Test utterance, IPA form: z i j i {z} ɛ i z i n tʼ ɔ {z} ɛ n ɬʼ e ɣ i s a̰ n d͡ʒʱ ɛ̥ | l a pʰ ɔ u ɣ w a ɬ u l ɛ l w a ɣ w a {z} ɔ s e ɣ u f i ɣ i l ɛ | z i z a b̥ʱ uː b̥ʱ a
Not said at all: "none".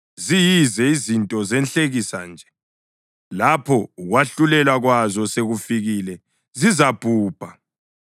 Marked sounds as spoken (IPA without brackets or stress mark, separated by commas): z, z, z